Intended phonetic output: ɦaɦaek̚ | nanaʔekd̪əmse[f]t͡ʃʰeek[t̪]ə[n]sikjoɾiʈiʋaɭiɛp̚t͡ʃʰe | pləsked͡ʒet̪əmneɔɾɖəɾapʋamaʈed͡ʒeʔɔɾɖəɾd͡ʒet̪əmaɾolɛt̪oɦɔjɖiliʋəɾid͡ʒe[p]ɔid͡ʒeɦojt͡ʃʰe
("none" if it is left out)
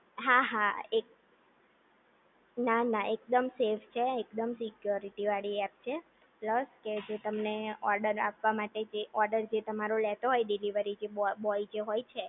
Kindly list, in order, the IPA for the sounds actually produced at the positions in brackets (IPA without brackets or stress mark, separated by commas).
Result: f, d̪, m, b